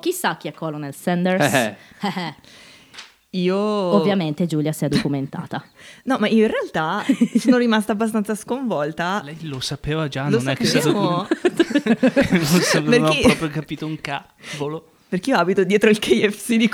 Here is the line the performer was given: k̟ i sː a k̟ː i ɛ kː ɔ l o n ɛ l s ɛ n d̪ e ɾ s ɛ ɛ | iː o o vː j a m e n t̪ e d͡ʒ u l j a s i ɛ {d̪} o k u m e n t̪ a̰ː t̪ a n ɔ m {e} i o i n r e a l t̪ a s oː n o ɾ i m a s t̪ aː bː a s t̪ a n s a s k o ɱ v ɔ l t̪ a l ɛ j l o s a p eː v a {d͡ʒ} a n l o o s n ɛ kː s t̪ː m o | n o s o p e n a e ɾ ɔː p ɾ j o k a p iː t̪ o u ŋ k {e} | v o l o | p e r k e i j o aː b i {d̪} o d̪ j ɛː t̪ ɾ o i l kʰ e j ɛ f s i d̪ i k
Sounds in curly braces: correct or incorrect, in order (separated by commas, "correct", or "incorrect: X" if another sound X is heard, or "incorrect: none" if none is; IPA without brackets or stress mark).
correct, incorrect: a, correct, incorrect: a, incorrect: t̪